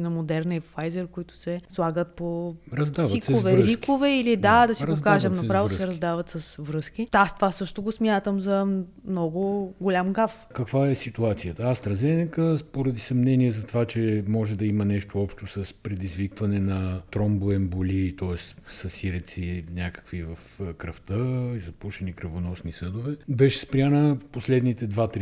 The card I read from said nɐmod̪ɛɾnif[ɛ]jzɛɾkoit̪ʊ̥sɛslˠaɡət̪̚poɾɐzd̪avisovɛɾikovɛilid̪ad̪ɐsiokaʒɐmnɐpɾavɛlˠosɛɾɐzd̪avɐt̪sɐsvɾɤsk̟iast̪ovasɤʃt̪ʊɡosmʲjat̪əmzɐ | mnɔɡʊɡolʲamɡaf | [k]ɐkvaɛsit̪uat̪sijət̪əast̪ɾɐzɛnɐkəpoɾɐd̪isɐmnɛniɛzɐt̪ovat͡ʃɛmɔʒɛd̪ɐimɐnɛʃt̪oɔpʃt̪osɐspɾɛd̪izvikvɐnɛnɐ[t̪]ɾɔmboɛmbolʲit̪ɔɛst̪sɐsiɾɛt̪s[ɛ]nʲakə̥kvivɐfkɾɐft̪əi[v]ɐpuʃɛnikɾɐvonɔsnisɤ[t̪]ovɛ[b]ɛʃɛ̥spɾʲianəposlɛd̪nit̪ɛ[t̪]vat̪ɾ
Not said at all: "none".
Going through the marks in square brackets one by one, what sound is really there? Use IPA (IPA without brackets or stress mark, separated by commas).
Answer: a, k, t̪, i, z, d̪, b, d̪